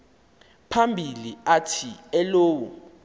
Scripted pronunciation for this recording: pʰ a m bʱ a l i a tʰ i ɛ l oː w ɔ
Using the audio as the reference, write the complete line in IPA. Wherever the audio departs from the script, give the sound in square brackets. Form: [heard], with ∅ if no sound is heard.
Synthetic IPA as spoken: pʰ a m bʱ [i] l i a tʰ i ɛ l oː w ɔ